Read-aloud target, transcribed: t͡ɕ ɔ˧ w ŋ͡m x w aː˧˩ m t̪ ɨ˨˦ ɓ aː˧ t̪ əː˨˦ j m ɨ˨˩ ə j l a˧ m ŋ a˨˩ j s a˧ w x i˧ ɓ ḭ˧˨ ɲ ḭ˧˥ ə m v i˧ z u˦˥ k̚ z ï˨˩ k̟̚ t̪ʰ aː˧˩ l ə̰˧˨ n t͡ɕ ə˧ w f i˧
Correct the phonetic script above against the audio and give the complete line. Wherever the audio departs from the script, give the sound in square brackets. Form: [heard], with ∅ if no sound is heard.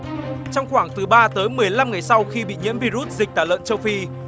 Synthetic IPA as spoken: t͡ɕ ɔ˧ w ŋ͡m x w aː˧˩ [ŋ] t̪ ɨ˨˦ ɓ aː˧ t̪ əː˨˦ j m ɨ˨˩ ə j l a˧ m ŋ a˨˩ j s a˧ w x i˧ ɓ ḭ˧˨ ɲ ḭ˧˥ ə m v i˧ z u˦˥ [t̚] z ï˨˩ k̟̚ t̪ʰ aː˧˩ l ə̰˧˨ n t͡ɕ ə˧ w f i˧